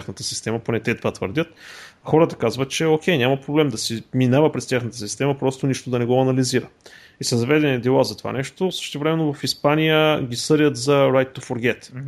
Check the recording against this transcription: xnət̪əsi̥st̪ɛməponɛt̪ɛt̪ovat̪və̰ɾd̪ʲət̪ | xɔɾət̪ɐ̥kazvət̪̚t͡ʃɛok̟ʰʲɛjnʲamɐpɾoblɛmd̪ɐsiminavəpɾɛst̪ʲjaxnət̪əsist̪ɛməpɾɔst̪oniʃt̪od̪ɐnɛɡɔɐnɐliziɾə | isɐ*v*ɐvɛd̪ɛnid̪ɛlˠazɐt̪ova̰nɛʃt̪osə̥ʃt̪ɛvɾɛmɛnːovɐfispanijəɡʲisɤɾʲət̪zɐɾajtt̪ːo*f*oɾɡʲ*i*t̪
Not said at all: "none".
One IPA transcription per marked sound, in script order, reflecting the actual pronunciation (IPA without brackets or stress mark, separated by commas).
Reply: z, f, ɛ